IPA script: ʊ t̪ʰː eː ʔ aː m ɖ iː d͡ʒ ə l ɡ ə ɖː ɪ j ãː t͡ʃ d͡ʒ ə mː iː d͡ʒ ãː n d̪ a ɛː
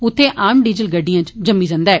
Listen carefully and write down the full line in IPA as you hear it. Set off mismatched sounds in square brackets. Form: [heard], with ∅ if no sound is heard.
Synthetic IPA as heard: ʊ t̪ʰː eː ʔ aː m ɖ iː d͡ʒ ə l ɡ ə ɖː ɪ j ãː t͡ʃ d͡ʒ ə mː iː d͡ʒ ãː n d̪ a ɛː